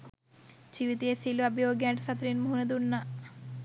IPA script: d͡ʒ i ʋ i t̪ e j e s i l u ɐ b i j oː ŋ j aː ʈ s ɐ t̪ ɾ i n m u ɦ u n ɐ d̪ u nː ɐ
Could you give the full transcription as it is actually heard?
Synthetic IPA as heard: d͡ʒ i ʋ i t̪ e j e s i l u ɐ b i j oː ɡ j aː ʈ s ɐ t̪ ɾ i n m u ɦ u n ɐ d̪ u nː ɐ